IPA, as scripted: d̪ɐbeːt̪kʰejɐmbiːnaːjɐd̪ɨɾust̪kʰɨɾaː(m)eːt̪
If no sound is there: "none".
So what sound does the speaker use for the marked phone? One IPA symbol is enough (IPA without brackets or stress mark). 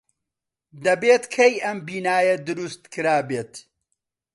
b